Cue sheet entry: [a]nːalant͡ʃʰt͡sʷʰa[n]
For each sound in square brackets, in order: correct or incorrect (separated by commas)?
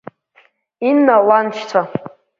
incorrect, incorrect